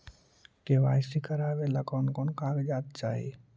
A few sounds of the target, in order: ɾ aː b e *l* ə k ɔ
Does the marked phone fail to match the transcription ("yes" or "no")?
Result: no